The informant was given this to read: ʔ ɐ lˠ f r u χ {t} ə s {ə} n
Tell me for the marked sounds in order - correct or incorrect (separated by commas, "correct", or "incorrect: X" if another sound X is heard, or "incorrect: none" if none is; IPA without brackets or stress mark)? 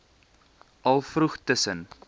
correct, correct